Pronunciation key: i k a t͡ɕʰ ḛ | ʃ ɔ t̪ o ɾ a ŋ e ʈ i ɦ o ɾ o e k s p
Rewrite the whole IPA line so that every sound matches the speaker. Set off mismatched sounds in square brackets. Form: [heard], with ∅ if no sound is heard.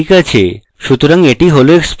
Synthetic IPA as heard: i k a t͡ɕʰ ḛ | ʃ [u] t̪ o ɾ a ŋ e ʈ i ɦ o [l] o e k s p